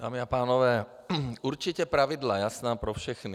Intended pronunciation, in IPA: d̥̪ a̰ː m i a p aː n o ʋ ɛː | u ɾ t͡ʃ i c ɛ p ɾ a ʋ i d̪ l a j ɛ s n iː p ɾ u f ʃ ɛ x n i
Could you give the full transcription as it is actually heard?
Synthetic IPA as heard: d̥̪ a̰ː m i a p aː n ɔ ʋ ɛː | u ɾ t͡ʃ i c ɛ p ɾ a ʋ i d̪ l a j a s n aː p ɾ ɔ f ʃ ɛ x n i